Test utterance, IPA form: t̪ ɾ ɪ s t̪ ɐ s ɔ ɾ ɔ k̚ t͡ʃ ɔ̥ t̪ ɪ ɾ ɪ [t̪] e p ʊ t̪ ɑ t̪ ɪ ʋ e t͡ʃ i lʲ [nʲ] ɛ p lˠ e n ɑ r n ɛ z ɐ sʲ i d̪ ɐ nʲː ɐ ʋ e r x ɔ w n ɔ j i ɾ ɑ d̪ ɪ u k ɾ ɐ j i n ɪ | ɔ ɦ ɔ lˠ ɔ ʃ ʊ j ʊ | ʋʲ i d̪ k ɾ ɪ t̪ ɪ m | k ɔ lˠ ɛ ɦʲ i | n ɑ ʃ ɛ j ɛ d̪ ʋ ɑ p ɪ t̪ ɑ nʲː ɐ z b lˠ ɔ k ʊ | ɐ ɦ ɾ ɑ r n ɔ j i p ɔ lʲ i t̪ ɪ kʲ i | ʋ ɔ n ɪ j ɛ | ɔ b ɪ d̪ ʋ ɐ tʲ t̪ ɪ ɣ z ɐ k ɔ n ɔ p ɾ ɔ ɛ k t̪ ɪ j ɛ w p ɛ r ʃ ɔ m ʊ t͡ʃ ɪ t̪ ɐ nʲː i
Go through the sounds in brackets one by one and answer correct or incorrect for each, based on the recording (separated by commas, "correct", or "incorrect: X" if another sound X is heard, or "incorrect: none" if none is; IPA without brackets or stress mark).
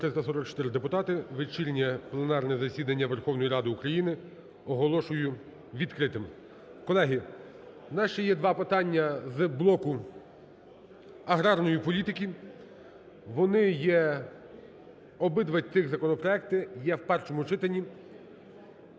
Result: incorrect: d̪, correct